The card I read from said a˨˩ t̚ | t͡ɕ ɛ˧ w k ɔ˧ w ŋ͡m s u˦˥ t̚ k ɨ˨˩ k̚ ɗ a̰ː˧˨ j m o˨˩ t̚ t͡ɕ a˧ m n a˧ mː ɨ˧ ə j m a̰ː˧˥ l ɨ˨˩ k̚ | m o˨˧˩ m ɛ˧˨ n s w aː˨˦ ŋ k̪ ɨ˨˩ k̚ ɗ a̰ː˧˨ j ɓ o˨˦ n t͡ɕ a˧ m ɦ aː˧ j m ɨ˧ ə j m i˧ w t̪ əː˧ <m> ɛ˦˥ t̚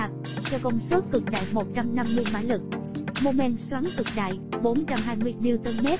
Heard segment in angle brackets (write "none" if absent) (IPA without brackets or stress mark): m